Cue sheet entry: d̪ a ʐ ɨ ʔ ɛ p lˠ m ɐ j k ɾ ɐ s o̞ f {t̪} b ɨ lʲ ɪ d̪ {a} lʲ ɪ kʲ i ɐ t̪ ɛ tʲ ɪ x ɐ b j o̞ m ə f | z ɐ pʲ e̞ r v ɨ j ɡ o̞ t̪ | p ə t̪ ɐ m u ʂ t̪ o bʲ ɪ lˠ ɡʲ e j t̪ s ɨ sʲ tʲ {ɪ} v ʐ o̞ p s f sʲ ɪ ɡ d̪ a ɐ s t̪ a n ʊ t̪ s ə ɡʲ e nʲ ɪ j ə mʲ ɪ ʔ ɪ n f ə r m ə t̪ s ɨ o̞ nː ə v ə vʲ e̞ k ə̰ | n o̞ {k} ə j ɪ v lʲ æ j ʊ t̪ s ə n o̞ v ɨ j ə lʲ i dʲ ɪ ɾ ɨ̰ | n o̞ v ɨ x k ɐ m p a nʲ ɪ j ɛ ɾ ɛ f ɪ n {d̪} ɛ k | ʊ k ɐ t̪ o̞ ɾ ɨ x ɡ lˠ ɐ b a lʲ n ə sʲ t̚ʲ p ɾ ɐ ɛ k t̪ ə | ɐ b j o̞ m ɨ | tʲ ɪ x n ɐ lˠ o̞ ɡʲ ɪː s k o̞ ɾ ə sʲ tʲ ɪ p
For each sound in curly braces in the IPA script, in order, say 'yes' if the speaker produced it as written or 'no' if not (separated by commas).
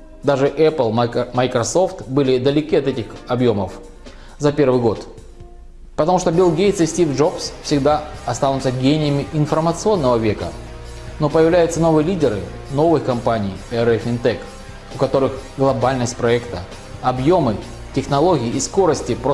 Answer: yes, no, no, no, no